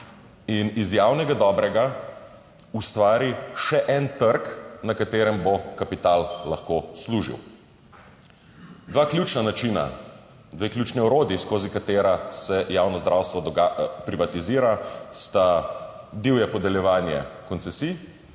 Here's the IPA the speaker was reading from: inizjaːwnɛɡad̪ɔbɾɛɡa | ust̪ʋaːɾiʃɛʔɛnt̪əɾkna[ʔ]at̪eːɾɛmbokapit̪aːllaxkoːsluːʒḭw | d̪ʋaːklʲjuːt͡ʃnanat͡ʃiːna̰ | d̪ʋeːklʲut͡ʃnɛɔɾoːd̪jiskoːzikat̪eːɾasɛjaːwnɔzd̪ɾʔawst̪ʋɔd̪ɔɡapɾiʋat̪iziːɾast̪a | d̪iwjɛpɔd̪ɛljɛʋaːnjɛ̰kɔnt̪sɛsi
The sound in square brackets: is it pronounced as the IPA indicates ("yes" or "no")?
no